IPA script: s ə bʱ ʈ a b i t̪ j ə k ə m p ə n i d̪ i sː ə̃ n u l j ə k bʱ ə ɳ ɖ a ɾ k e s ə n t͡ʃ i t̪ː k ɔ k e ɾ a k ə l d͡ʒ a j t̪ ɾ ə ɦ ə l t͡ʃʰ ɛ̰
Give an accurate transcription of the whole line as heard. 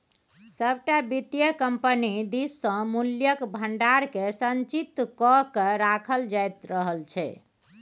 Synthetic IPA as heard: s ə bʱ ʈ a b i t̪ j ə k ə m p ə n i d̪ i sː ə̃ m u l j ə k bʱ ə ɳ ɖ a ɾ k e s ə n t͡ʃ i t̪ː k ɔ k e ɾ a kʰ ə l d͡ʒ a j t̪ ɾ ə ɦ ə l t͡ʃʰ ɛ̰

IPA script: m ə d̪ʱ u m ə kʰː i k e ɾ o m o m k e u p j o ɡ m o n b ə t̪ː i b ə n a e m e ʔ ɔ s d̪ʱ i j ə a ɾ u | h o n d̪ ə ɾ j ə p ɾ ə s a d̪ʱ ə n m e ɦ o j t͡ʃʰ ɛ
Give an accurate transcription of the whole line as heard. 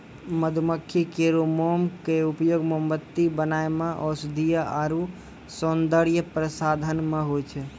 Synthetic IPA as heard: m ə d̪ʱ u m ə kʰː i k e ɾ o m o m k e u p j o ɡ m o m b ə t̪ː i b ə n a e m e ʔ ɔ s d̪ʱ i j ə a ɾ u | s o n d̪ ə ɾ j ə p ɾ ə s a d̪ʱ ə n m e ɦ o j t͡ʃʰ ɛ

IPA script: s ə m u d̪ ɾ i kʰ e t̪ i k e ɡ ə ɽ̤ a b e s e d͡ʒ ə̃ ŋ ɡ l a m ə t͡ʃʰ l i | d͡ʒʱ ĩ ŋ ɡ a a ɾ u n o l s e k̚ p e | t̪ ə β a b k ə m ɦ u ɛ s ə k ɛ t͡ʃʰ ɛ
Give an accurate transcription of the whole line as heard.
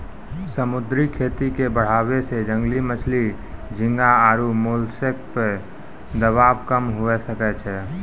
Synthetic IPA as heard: s ə m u d̪ ɾ i kʰ e t̪ i k e b ə ɽ̤ a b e s e d͡ʒ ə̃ ŋ ɡ l i m ə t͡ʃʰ l i | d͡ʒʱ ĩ ŋ ɡ a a ɾ u m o l s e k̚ p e | d̪ ə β a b k ə m ɦ u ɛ s ə k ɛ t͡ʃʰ ɛ

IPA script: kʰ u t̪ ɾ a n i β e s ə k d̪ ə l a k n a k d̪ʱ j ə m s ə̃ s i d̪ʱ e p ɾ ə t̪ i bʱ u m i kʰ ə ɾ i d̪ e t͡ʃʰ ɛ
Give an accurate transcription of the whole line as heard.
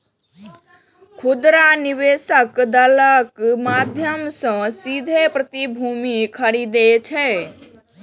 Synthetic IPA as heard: kʰ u d̪ ɾ a n i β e s ə k d̪ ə l ə k m a d̪ʱ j ə m s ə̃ s i d̪ʱ e p ɾ ə t̪ i bʱ u m i kʰ ə ɾ i d̪ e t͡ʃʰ ɛ

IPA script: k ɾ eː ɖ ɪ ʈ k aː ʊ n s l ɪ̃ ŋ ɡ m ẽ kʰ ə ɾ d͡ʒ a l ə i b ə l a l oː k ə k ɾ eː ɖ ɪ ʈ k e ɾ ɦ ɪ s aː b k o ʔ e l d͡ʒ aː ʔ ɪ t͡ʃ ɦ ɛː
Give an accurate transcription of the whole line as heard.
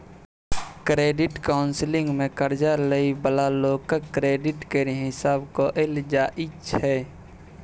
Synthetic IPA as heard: k ɾ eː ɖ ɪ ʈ k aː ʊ n s l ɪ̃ ŋ ɡ m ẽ k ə ɾ d͡ʒ a l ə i b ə l a l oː k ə k ɾ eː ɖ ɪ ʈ k e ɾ ɦ ɪ s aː b k o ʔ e l d͡ʒ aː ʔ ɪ t͡ʃ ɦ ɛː

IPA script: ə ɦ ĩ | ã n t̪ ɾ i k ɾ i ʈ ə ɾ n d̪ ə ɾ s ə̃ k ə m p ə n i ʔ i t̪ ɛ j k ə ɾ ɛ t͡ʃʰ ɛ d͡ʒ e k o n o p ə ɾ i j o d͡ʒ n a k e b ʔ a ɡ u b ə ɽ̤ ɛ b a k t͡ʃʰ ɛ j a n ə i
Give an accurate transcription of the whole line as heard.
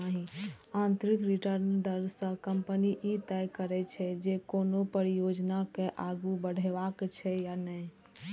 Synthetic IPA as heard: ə ɦ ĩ | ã n t̪ ɾ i k ɾ i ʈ ə ɾ n d̪ ə ɾ s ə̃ k ə m p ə n i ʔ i t̪ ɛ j k ə ɾ ɛ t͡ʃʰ ɛ d͡ʒ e k o n o p ə ɾ i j o d͡ʒ n a k e ʔ a ɡ u b ə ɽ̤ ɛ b a k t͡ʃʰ ɛ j a n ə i

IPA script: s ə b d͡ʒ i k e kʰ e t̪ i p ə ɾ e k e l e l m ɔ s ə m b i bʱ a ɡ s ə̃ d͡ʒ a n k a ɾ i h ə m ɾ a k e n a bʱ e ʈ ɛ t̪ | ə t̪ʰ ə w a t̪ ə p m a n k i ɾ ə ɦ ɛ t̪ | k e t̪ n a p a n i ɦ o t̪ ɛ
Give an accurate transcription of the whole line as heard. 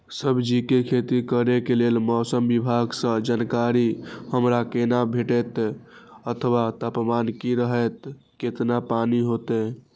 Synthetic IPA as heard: s ə b d͡ʒ i k e kʰ e t̪ i k ə ɾ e k e l e l m ɔ s ə m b i bʱ a ɡ s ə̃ d͡ʒ a n k a ɾ i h ə m ɾ a k e n a bʱ e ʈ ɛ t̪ | ə t̪ʰ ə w a t̪ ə p m a n k i ɾ ə ɦ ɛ t̪ | k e t̪ n a p a n i ɦ o t̪ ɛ

